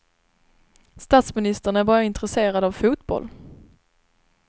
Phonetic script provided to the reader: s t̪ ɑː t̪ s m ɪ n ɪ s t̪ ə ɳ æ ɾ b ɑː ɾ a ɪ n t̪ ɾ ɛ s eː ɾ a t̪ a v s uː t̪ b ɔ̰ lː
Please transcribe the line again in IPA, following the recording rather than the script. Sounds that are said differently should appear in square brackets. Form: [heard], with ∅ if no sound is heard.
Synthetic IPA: s t̪ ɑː t̪ s m ɪ n ɪ s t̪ ə ɳ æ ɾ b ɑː ɾ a ɪ n t̪ ɾ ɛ s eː ɾ a [d̪] a v [f] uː t̪ b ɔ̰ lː